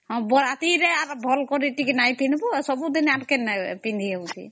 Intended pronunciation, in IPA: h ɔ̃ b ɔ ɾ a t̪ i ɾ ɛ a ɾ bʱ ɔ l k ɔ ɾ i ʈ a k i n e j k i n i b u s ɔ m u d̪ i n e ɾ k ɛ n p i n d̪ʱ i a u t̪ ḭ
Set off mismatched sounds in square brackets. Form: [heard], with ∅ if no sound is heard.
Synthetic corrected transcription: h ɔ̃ b ɔ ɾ a t̪ i ɾ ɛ a ɾ bʱ ɔ l k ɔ ɾ i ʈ [i] k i n [a] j [p] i n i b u s ɔ [b] u d̪ i n [a] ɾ k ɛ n p i n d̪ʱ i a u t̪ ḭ